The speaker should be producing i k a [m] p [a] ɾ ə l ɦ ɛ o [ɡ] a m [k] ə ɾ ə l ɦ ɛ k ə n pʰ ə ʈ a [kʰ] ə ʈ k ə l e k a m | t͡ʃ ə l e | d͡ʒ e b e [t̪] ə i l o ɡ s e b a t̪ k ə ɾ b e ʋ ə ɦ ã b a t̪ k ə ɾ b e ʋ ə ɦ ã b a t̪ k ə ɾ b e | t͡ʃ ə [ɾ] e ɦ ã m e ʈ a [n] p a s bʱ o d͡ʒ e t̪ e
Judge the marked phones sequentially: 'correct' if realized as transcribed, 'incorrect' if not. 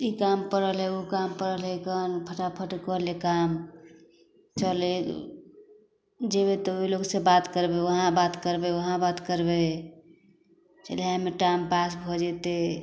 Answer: correct, incorrect: ə, incorrect: k, incorrect: p, incorrect: pʰ, correct, incorrect: l, incorrect: m

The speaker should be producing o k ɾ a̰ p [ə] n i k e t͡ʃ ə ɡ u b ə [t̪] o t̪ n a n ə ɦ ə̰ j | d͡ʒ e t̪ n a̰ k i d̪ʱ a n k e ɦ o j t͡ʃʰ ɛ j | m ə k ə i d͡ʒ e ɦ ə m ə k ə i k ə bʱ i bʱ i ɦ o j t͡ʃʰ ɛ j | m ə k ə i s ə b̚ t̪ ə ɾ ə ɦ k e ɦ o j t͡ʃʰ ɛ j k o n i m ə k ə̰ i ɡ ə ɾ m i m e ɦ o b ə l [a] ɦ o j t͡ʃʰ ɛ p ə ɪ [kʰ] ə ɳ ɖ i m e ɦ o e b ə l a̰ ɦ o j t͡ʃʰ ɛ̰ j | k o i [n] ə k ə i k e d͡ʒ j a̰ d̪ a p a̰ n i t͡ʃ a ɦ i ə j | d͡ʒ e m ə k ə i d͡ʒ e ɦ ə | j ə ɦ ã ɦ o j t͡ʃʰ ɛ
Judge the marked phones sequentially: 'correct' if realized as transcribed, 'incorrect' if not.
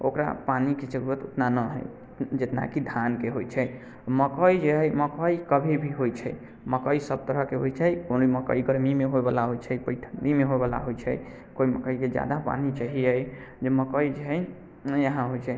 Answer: incorrect: a, correct, correct, incorrect: ʈʰ, incorrect: m

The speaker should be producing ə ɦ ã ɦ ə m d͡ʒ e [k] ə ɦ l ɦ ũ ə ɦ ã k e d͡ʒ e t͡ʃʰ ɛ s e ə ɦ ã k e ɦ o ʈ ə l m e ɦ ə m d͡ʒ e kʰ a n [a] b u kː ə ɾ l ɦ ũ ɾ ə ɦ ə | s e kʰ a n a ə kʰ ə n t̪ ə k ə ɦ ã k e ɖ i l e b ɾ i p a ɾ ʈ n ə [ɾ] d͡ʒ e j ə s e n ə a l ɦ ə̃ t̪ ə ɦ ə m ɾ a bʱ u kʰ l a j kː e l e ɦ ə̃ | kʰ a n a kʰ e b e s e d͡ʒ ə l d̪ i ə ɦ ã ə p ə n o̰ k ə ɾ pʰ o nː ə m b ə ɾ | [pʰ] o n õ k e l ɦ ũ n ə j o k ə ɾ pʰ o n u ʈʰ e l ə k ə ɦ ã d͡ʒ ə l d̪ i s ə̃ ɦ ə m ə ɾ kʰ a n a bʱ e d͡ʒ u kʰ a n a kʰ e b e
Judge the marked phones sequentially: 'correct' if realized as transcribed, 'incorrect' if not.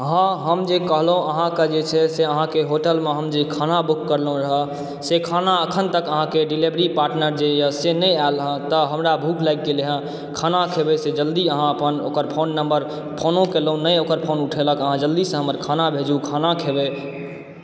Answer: correct, correct, correct, correct

